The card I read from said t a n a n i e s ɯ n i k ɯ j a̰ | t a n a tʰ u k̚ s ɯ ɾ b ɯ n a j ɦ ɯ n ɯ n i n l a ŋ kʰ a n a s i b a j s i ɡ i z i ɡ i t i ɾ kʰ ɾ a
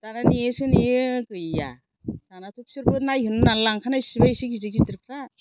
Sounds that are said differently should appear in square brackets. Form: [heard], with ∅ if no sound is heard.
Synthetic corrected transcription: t a n a n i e s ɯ n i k ɯ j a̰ | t a n a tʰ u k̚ s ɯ ɾ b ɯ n a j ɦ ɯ n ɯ n [a] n l a ŋ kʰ a n a s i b a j s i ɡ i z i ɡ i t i ɾ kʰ ɾ a